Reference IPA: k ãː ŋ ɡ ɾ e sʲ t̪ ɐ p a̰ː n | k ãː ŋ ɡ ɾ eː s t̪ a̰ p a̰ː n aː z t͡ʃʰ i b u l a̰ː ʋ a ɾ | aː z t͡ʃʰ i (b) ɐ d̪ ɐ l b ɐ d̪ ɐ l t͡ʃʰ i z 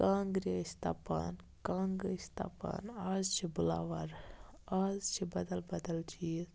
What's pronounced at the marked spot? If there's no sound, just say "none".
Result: b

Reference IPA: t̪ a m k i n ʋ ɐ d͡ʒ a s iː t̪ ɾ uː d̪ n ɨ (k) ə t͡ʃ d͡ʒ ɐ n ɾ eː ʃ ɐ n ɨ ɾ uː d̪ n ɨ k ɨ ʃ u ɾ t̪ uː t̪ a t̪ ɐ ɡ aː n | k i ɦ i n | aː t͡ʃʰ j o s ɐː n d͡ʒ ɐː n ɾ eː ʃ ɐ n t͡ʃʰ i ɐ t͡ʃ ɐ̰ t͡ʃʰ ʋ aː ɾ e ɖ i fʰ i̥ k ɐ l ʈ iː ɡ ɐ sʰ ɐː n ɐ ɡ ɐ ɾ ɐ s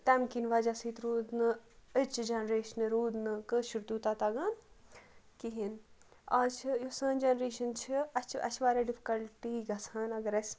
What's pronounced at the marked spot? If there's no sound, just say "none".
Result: none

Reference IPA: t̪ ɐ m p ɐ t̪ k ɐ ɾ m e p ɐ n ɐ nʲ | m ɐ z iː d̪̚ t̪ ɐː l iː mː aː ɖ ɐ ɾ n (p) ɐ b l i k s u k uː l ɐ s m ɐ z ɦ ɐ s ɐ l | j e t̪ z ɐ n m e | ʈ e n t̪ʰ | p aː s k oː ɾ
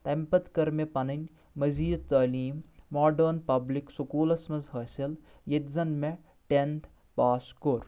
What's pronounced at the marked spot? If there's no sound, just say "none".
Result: p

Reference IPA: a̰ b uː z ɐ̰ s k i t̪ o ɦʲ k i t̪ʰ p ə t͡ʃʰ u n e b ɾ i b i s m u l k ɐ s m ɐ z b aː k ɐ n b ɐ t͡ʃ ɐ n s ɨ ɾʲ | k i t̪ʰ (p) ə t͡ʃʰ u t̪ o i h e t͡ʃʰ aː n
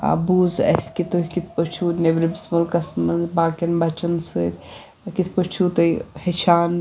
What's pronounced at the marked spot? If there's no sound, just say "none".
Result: p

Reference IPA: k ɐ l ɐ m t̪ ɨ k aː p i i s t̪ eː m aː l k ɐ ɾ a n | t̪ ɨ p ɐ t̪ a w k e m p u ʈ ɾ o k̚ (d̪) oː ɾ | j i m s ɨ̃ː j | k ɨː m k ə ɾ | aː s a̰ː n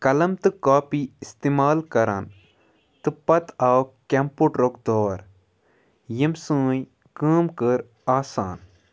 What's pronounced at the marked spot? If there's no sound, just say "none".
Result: d̪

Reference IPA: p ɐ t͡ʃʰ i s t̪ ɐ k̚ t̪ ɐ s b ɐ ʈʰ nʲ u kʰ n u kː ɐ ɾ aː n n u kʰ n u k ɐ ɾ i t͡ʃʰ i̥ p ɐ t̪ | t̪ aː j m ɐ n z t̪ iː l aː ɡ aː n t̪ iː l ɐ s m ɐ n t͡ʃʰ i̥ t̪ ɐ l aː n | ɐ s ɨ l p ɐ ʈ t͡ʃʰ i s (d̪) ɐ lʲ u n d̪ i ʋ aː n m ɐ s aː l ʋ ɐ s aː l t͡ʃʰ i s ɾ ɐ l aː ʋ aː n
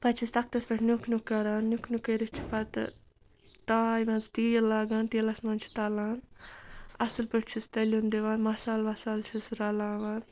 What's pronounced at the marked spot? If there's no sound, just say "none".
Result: t̪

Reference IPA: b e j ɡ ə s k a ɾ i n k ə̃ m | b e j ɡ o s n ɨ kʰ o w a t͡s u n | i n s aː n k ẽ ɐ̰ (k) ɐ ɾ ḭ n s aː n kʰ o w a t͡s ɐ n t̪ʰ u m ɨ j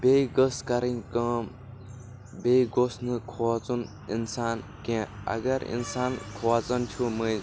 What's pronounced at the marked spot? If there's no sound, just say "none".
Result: ɡ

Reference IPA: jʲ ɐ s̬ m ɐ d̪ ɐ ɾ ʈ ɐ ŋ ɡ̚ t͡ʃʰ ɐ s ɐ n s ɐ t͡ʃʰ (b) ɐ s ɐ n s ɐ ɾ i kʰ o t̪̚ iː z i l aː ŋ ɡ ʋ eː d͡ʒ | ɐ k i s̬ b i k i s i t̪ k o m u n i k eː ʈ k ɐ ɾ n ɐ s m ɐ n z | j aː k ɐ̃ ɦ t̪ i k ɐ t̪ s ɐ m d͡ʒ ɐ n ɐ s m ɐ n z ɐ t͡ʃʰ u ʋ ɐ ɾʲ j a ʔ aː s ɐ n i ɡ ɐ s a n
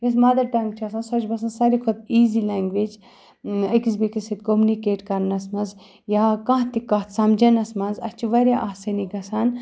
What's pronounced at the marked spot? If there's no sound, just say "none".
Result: b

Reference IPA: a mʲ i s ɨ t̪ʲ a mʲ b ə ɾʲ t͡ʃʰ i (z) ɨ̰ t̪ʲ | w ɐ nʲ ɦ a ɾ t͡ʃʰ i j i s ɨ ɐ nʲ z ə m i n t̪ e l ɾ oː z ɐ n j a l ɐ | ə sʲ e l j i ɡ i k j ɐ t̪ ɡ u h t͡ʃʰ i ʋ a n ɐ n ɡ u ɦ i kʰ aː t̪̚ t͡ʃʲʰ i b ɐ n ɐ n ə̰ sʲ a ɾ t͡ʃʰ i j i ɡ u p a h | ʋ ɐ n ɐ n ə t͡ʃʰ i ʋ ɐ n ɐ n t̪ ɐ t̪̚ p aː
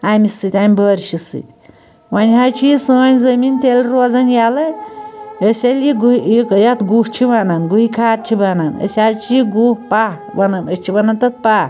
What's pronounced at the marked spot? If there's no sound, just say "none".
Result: s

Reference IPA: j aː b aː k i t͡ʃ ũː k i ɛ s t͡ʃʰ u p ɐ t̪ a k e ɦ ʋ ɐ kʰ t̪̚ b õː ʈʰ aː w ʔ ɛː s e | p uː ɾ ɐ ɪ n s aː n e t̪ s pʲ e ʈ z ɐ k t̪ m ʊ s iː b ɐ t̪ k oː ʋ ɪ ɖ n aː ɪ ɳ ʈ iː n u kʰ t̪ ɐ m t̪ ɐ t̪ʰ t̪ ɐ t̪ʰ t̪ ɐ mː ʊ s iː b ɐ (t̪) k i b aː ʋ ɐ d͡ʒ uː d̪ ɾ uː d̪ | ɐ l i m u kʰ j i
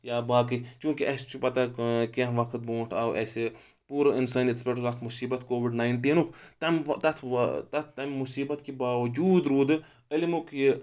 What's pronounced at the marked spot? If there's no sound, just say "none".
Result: t̪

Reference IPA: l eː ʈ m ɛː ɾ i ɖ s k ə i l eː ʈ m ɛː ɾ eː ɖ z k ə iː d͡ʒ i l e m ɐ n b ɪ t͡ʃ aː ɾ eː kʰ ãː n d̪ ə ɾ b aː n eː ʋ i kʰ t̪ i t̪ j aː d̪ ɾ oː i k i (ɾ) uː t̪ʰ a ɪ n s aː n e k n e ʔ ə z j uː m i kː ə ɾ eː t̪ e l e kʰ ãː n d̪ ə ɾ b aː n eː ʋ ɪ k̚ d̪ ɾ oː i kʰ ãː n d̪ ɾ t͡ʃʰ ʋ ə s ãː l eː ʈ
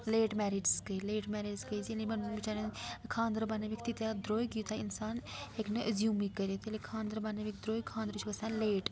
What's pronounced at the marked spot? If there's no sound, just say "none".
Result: none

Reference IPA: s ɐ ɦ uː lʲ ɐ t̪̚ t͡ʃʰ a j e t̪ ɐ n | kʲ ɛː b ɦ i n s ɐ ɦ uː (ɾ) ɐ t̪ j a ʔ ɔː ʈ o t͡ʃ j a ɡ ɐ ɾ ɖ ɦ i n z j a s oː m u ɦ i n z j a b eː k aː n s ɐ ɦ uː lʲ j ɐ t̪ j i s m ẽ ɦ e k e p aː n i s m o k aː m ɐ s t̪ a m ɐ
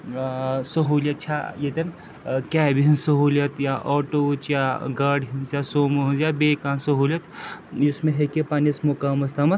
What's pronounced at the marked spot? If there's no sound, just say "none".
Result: l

